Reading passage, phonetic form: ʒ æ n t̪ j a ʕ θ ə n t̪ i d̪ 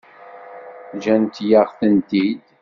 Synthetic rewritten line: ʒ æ n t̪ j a ʁ θ ə n t̪ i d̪